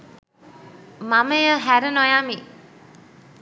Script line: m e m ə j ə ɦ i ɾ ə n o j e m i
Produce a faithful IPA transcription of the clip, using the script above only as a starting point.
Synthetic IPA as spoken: m a m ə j ə ɦ æ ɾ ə n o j a m i